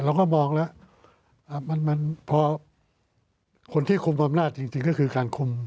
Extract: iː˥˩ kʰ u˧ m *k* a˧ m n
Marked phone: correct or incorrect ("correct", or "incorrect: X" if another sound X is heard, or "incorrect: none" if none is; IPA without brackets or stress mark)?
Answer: incorrect: ʔ